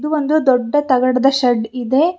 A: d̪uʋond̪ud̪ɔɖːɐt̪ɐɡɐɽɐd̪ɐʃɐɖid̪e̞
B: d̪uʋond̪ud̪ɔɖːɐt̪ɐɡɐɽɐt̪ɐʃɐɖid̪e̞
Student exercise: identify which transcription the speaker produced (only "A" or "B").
A